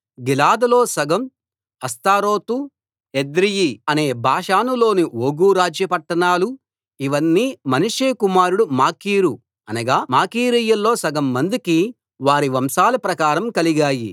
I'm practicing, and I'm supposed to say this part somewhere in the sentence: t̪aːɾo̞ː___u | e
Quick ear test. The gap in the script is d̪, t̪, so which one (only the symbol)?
t̪